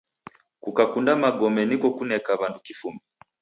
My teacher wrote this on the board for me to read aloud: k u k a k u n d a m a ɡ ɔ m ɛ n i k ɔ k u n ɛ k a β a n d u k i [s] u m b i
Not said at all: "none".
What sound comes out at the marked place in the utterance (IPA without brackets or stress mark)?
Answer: f